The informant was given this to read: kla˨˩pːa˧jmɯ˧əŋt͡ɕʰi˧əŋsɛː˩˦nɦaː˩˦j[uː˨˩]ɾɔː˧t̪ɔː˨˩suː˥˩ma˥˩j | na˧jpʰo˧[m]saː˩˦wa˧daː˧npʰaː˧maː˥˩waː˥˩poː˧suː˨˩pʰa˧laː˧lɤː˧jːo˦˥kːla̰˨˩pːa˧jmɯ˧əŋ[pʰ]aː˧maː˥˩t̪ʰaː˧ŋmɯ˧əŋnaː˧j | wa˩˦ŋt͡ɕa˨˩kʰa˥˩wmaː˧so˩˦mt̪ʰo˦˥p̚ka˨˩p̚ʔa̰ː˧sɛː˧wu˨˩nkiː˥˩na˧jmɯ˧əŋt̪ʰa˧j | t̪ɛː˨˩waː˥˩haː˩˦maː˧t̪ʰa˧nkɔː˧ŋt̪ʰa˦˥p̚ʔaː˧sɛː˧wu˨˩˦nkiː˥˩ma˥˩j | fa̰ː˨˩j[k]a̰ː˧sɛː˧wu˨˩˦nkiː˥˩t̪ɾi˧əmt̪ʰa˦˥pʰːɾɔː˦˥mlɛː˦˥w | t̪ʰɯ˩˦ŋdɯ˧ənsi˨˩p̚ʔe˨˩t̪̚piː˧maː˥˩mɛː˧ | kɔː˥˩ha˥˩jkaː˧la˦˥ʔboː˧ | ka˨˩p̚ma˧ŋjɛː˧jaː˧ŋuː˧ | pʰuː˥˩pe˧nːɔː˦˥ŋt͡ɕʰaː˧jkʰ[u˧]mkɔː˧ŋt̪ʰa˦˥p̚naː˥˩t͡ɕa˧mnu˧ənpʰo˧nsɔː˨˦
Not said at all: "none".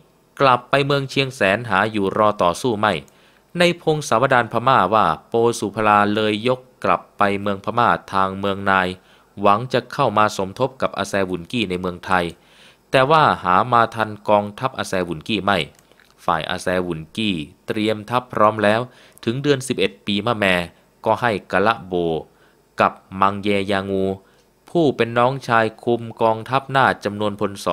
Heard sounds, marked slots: uː˨˩, ŋ, pʰ, ʔ, u˧

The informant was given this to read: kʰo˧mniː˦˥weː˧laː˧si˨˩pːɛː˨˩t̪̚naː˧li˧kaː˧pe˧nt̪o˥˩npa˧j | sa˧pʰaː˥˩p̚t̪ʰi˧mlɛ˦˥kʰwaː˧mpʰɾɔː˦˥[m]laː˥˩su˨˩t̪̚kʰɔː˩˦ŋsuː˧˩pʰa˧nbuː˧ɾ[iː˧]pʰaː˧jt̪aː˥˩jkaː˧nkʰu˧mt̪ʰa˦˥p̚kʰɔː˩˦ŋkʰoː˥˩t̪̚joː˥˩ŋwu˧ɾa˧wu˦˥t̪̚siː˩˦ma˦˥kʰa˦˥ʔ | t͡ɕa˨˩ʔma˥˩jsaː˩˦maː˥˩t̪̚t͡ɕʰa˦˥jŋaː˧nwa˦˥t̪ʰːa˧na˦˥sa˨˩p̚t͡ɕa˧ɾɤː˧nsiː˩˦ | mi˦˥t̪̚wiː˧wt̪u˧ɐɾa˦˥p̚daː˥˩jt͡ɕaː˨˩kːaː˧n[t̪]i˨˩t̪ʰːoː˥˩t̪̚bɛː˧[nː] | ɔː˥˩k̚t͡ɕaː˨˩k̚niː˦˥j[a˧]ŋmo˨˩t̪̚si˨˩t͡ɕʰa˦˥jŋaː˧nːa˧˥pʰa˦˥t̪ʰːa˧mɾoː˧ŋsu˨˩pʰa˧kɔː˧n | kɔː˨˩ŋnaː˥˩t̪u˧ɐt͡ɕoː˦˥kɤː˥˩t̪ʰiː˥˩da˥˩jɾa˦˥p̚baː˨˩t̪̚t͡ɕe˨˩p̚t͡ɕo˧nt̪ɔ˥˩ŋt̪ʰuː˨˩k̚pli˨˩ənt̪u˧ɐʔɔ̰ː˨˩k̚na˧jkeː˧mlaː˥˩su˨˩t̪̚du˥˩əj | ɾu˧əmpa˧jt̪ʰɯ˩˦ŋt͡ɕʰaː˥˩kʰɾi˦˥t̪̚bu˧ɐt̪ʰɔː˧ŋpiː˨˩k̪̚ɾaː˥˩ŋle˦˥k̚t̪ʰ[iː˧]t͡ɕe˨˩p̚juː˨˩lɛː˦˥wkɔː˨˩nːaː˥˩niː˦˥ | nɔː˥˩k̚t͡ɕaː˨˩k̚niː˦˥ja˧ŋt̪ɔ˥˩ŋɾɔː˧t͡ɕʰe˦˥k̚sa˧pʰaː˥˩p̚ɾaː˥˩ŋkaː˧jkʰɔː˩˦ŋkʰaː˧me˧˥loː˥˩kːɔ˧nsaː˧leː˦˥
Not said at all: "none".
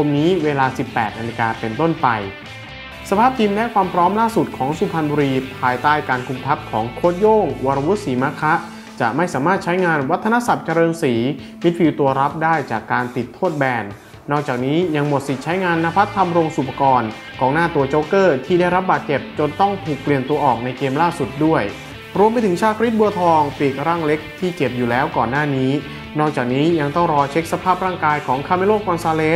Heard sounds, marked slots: m, iː˧, t̪, nː, a˧, iː˥˩

